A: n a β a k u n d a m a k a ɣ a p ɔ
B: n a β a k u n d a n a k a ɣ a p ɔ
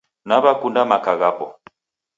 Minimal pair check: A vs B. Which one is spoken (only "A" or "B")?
A